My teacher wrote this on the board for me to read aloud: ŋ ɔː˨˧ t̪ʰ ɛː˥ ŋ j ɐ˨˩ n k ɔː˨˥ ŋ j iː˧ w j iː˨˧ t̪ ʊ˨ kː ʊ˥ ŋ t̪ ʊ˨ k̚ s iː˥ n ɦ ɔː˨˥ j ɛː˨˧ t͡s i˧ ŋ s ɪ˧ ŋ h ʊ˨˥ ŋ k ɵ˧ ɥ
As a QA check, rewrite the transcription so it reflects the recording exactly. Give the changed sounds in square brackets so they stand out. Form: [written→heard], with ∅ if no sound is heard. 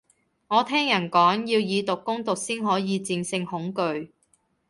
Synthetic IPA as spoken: ŋ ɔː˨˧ t̪ʰ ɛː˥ ŋ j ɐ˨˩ n k ɔː˨˥ ŋ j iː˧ w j iː˨˧ t̪ ʊ˨ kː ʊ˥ ŋ t̪ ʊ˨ k̚ s iː˥ n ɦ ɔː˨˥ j [ɛː˨˧→iː˨˧] t͡s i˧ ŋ s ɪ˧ ŋ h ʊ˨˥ ŋ k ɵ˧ ɥ